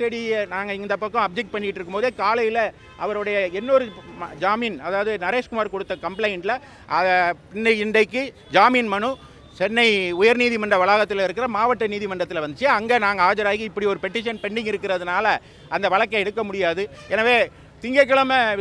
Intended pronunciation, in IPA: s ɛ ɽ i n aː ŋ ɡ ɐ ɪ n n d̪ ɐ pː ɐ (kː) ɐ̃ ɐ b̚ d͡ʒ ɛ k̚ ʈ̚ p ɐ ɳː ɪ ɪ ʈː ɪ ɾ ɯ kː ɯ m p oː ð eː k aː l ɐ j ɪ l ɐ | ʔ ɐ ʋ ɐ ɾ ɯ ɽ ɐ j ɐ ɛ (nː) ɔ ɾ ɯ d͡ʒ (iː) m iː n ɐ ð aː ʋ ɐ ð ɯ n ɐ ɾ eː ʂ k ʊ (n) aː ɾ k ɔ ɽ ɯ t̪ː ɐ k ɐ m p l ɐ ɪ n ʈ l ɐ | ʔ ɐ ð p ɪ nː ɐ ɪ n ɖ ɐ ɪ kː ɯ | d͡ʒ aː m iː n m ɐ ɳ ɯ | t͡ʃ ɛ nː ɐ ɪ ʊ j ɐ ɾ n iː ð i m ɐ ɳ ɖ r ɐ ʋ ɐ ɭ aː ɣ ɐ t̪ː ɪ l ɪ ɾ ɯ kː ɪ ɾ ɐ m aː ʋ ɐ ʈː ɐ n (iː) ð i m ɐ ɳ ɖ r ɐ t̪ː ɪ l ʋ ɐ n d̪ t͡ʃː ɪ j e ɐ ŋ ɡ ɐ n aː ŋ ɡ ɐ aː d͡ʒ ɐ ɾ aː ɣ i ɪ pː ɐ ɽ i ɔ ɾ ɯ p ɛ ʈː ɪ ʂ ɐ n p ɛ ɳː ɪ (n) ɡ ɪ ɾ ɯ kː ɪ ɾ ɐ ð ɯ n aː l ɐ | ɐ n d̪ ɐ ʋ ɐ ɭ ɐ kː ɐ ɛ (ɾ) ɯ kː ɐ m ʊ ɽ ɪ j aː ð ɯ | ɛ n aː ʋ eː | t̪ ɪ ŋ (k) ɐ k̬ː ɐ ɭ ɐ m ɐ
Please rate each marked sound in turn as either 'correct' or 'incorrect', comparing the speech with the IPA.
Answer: correct, correct, incorrect, incorrect, correct, incorrect, incorrect, incorrect

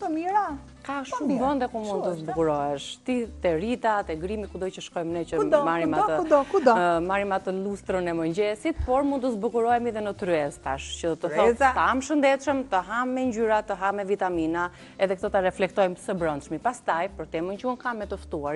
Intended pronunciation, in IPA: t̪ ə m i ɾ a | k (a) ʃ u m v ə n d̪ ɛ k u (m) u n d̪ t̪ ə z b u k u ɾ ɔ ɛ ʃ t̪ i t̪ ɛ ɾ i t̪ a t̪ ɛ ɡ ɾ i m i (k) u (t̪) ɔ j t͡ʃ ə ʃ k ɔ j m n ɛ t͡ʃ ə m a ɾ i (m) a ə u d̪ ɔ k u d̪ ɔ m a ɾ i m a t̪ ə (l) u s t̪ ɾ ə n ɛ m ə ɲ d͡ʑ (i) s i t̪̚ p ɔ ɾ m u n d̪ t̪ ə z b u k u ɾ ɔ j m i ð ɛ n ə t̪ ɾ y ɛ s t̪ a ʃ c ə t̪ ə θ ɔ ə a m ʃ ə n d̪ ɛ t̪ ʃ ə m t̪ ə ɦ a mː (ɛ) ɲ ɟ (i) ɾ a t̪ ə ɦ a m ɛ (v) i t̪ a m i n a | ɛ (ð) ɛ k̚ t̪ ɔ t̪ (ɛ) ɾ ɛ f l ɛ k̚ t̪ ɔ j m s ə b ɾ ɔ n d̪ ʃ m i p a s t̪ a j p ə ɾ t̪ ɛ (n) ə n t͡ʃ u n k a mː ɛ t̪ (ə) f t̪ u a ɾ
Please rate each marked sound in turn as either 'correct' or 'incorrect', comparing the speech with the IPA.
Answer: correct, correct, correct, incorrect, correct, correct, incorrect, correct, incorrect, correct, correct, incorrect, incorrect, correct

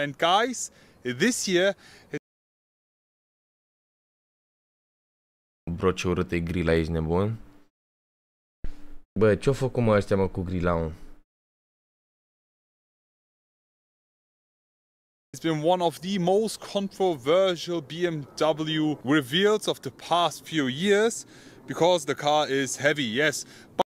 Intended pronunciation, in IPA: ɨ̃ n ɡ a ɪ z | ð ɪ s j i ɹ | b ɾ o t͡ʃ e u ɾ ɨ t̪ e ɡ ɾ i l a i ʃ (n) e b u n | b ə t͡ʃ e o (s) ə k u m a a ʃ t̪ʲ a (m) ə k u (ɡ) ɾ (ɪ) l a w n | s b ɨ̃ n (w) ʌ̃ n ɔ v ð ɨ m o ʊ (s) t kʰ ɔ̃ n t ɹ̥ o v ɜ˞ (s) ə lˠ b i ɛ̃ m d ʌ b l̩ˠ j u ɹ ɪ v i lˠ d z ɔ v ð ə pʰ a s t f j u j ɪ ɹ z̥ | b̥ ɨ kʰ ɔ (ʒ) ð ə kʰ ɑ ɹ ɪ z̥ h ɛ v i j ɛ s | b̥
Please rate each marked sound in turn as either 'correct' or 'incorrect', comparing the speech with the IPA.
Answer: correct, incorrect, correct, correct, incorrect, correct, correct, incorrect, incorrect

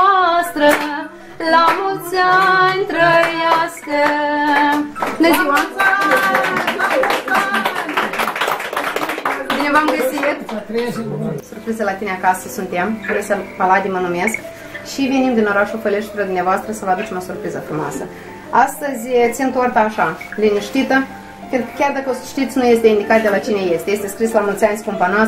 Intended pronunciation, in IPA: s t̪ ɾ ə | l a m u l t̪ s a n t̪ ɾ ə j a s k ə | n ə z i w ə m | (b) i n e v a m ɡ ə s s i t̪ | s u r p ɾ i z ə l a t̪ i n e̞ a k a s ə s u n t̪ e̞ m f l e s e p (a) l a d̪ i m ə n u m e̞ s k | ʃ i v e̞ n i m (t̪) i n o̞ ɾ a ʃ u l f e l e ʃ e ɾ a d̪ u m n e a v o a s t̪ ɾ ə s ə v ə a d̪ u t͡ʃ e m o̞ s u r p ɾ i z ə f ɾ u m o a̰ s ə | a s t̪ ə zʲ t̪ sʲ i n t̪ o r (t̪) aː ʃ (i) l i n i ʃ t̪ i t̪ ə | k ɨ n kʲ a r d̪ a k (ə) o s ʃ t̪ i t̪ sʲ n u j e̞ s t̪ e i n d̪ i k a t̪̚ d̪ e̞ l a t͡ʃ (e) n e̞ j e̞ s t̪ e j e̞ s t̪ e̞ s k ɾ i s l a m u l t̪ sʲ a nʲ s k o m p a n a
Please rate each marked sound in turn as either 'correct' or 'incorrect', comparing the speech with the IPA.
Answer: correct, correct, incorrect, correct, incorrect, correct, incorrect

